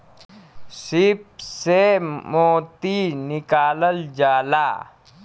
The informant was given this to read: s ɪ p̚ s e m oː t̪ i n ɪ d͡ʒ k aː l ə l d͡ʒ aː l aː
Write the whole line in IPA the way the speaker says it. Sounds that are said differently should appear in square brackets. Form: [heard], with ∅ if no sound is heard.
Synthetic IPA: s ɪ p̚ s e m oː t̪ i n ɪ [∅] k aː l ə l d͡ʒ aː l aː